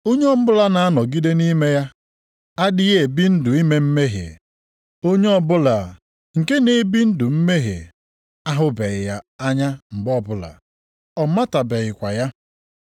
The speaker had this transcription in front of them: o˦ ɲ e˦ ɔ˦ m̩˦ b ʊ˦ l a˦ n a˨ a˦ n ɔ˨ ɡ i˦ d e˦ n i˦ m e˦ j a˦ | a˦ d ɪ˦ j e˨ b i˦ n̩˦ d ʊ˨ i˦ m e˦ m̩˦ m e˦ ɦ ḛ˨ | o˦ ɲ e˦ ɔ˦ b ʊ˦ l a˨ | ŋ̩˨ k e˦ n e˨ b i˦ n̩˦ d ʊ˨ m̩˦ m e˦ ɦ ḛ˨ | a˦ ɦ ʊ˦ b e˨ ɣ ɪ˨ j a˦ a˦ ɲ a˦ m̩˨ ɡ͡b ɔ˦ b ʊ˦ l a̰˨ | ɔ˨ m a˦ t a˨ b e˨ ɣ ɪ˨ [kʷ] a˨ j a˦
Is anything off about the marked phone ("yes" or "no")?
no